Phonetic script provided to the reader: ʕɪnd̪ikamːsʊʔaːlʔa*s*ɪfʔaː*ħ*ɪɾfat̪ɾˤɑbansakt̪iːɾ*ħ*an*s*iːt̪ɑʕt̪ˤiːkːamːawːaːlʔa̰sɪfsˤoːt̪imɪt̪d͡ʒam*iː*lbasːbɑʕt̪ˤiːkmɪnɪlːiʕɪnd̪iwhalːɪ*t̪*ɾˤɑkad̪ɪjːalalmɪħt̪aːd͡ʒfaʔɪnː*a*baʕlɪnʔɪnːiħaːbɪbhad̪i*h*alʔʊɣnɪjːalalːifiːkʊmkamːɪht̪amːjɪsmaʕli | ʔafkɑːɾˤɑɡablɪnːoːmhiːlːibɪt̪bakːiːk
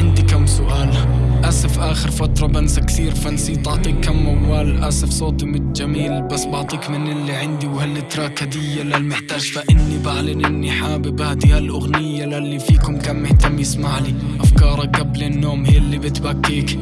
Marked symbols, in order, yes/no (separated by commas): yes, no, no, yes, yes, yes, no, yes